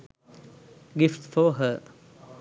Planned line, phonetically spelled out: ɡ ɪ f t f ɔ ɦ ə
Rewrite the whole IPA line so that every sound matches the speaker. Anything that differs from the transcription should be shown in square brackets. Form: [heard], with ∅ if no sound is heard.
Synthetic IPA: ɡ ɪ f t f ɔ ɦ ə